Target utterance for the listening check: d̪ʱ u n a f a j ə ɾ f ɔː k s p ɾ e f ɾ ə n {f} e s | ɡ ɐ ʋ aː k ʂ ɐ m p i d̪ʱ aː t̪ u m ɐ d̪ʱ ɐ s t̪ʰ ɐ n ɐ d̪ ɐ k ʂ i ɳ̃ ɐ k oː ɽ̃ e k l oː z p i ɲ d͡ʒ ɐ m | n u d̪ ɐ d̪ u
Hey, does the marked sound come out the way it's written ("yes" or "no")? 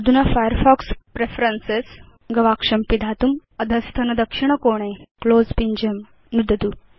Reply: no